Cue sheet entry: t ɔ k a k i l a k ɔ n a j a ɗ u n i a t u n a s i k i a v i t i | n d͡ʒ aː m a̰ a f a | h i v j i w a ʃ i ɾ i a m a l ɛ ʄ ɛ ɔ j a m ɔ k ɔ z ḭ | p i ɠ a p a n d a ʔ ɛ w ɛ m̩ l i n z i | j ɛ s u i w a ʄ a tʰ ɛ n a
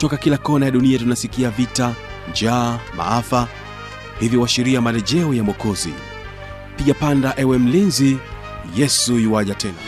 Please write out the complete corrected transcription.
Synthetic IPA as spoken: t ɔ k a k i l a k ɔ n a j a ɗ u n i a t u n a s i k i a v i t a | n d͡ʒ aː m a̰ a f a | h i v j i w a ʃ i ɾ i a m a l ɛ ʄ ɛ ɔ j a m ɔ k ɔ z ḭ | p i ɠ a p a n d a ʔ ɛ w ɛ m̩ l i n z i | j ɛ s u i w a ʄ a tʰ ɛ n a